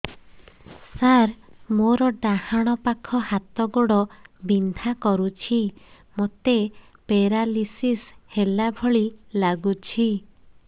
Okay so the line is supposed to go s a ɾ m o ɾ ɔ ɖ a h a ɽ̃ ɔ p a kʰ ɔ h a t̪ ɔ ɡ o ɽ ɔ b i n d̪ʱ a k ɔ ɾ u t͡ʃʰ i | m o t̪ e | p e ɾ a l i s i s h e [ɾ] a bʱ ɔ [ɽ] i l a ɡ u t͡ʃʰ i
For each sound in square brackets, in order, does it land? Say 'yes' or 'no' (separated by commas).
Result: no, no